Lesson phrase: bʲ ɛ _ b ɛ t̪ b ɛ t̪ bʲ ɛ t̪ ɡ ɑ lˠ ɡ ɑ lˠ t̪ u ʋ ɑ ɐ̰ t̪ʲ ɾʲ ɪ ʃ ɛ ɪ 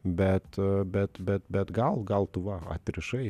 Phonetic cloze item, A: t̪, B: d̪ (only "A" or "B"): A